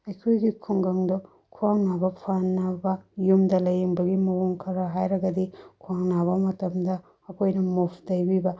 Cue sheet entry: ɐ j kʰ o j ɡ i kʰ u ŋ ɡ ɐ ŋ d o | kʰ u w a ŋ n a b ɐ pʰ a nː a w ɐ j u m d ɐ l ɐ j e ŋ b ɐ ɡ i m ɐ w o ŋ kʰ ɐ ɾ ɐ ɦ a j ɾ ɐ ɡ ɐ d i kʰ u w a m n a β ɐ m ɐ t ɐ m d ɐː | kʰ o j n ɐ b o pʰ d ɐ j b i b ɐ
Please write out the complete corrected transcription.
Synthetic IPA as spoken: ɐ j kʰ o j ɡ i kʰ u ŋ ɡ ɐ ŋ d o | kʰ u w a ŋ n a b ɐ pʰ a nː a b ɐ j u m d ɐ l ɐ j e ŋ b ɐ ɡ i m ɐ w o ŋ kʰ ɐ ɾ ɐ ɦ a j ɾ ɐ ɡ ɐ d i kʰ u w a ŋ n a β ɐ m ɐ t ɐ m d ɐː | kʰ o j n ɐ m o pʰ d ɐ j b i b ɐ